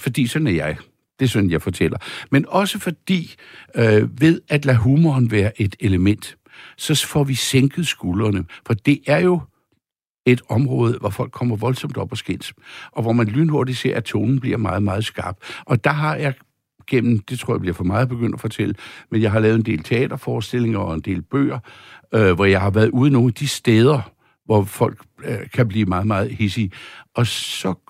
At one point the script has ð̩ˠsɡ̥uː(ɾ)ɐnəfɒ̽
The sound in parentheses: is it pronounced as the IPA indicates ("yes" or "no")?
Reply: no